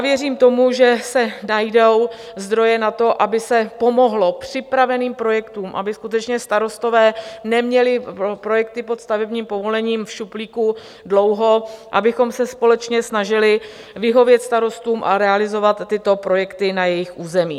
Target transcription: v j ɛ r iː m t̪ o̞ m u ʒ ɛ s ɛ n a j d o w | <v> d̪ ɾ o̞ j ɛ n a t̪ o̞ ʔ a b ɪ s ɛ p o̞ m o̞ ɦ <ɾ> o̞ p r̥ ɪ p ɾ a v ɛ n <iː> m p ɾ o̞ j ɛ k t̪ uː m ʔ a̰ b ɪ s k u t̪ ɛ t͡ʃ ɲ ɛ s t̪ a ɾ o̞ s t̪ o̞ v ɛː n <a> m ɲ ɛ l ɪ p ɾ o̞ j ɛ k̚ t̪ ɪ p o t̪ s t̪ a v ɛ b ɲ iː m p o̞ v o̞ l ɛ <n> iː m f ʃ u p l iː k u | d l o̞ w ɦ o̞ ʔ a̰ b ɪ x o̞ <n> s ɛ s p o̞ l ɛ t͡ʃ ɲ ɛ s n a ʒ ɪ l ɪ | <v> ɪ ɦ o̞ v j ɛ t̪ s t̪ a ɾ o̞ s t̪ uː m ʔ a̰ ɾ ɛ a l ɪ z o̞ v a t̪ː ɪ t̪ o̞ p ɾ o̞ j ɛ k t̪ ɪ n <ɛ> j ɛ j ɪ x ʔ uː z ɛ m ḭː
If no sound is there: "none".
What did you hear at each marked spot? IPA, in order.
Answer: z, l, iː, ɛ, ɲ, m, v, a

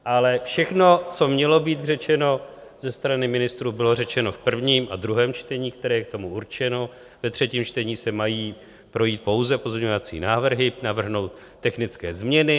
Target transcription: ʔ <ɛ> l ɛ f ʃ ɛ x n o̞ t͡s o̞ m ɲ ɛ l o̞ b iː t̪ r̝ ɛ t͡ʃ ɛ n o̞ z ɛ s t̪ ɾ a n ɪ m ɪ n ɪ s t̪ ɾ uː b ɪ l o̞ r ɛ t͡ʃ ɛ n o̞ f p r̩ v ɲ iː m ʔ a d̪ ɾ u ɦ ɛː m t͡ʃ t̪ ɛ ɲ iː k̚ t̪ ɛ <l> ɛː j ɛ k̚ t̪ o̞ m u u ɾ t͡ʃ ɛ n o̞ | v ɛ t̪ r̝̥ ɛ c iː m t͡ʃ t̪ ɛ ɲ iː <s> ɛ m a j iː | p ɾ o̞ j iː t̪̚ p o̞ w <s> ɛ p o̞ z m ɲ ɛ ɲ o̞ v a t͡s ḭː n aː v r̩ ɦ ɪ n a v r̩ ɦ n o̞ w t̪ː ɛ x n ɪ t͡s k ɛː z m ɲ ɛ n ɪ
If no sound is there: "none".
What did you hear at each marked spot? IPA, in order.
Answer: a, ɾ, s, z

